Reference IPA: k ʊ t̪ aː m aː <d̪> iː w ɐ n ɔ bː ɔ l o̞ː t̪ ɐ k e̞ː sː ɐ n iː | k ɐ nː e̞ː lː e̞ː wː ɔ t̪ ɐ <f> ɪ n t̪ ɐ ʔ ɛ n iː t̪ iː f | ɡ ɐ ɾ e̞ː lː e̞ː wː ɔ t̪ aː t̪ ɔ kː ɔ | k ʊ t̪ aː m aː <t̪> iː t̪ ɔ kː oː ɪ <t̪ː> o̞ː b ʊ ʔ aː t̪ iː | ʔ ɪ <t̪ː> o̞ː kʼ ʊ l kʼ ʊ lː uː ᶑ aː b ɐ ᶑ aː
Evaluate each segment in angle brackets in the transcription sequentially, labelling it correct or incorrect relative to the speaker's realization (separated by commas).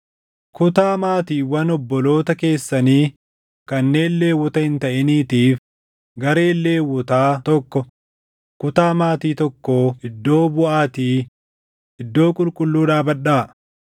incorrect, incorrect, correct, incorrect, incorrect